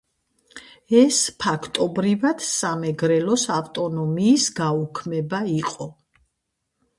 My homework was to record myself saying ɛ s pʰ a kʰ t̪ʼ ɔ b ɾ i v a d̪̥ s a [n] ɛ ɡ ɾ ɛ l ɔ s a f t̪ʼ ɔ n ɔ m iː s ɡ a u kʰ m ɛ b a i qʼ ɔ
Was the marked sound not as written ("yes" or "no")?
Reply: yes